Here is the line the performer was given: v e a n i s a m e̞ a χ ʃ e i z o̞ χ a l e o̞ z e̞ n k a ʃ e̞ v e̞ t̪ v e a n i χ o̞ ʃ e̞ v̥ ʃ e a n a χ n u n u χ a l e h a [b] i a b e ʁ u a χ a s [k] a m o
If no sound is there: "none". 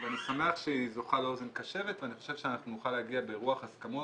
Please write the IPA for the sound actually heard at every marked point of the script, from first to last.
ɡ, k

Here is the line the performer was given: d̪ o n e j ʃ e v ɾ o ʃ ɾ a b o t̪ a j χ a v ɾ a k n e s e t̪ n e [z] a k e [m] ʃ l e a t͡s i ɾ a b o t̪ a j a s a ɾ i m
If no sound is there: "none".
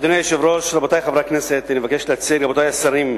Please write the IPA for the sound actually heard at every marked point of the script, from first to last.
v, none

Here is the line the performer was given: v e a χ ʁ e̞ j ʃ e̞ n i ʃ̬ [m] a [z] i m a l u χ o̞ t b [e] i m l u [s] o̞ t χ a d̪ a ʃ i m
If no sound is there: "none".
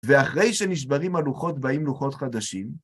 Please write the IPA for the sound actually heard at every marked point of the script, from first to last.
b, ʁ, a, χ

